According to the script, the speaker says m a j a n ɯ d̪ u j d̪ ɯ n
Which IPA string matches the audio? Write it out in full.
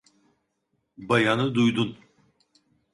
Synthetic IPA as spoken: b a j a n ɯ d̪ u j d̪ u n